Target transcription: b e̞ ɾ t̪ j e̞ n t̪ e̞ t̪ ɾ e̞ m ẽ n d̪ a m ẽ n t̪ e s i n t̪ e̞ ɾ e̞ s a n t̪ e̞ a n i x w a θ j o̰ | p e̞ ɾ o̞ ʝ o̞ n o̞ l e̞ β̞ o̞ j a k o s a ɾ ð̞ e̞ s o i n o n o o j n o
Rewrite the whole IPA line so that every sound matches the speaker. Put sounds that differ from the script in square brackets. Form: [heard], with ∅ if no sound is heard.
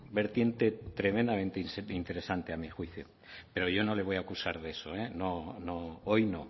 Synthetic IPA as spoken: b e̞ ɾ t̪ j e̞ n t̪ e̞ t̪ ɾ e̞ m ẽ n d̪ a m ẽ n t̪ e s i n t̪ e̞ ɾ e̞ s a n t̪ e̞ a [m] i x w [i] θ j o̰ | p e̞ ɾ o̞ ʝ o̞ n o̞ l e̞ β̞ o̞ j a k [u] s a ɾ ð̞ e̞ s o [e] n o n o o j n o